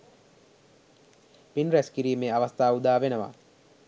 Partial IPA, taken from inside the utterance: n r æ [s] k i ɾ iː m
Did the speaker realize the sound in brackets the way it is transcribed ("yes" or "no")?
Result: yes